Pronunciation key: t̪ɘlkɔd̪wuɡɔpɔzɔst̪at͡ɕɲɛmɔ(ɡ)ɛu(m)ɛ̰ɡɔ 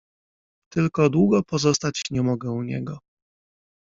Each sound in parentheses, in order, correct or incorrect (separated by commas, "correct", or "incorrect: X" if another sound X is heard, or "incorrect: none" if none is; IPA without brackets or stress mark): correct, incorrect: ɲ